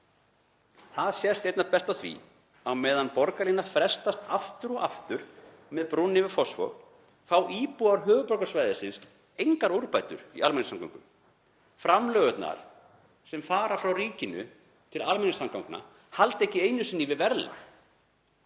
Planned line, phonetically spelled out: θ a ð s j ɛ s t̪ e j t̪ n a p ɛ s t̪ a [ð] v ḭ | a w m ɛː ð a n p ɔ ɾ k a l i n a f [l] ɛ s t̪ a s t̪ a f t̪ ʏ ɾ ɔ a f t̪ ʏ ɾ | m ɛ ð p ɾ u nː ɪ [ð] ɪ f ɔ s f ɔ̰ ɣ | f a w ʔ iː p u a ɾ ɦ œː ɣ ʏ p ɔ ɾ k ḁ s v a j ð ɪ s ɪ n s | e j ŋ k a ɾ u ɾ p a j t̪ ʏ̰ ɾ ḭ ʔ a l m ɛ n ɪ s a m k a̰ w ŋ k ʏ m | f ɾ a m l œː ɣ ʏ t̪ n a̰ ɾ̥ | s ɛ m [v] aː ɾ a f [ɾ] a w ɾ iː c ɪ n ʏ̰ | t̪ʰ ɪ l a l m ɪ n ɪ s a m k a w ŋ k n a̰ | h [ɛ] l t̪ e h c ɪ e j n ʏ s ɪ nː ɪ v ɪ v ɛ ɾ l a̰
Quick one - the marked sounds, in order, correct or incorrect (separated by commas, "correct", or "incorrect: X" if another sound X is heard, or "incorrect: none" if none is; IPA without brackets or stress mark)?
incorrect: θ, incorrect: ɾ, incorrect: v, incorrect: f, correct, incorrect: a